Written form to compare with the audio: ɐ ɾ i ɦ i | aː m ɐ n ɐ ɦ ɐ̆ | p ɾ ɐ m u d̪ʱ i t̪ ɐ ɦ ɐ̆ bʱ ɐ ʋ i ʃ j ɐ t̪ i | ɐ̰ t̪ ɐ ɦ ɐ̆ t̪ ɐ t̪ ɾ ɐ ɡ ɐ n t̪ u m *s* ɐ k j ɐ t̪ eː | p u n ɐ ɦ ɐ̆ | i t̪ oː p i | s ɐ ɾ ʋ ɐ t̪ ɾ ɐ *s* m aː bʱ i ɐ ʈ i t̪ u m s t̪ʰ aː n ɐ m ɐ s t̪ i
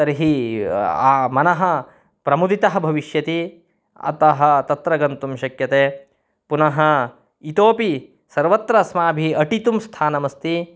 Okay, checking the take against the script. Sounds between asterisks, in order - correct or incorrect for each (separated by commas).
incorrect, correct